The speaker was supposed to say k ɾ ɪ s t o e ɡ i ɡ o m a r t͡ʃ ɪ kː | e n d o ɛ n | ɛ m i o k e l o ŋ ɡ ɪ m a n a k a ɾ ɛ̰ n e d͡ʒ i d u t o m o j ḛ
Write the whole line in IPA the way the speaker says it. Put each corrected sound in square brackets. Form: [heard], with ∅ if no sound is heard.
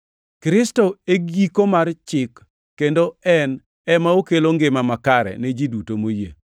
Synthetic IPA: k ɾ ɪ s t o e ɡ i [k] o m a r t͡ʃ ɪ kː | e n d o ɛ n | ɛ m [a] o k e l o ŋ ɡ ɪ m a [m] a k a ɾ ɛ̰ n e d͡ʒ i d u t o m o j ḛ